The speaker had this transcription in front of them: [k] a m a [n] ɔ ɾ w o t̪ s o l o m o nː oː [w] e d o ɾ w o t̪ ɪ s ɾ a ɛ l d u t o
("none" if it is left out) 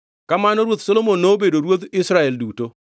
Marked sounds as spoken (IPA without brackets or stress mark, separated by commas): k, n, b